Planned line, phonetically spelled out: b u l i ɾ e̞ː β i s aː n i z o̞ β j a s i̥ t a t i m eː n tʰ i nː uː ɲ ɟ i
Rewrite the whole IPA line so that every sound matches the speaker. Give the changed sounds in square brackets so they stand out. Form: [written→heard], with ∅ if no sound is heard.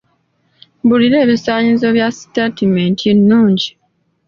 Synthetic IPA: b u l i ɾ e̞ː β i s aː [n→ɲ] i z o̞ β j a s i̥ t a t i m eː n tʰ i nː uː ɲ ɟ i